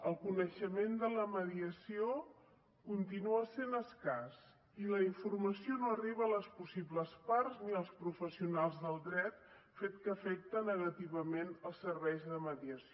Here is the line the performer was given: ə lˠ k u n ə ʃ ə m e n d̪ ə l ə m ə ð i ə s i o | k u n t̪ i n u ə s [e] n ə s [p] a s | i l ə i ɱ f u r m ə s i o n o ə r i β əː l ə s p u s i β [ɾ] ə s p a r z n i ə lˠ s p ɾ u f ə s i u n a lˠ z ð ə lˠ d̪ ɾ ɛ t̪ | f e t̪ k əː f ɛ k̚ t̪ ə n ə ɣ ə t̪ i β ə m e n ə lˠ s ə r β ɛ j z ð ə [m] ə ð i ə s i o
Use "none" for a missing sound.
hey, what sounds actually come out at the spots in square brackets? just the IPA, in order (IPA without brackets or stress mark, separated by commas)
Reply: e, k, l, m